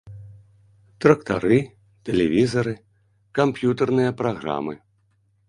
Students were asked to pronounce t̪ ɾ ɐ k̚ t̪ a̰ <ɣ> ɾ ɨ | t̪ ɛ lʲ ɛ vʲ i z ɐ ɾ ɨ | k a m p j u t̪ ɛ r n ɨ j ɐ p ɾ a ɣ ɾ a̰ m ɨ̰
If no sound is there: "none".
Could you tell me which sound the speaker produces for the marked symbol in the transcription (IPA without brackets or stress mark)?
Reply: none